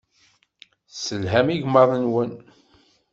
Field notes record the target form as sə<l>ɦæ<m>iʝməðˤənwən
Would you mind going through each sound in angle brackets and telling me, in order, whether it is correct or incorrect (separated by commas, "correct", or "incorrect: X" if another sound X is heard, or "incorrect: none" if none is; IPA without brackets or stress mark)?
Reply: correct, correct